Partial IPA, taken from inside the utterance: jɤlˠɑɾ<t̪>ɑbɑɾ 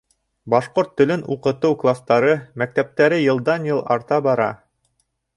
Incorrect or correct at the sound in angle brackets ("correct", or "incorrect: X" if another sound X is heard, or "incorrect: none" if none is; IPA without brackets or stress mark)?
correct